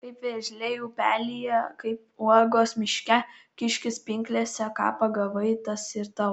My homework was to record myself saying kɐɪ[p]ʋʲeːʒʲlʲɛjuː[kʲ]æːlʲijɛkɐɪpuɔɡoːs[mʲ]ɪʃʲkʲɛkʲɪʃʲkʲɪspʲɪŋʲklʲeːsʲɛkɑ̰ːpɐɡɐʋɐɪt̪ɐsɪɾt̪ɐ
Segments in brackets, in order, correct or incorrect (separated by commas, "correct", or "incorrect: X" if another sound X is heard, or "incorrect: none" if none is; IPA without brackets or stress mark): correct, incorrect: pʲ, correct